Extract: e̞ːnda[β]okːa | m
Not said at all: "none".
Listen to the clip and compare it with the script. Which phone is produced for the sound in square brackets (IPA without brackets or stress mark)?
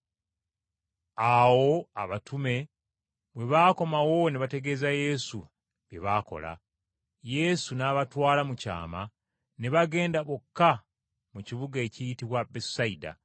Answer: β